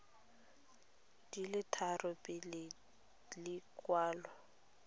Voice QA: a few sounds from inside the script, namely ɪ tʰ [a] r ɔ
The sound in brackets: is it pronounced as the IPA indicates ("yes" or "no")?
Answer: yes